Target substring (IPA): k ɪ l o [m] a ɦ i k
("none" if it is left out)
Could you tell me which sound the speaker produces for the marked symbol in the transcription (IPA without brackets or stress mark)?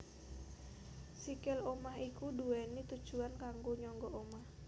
m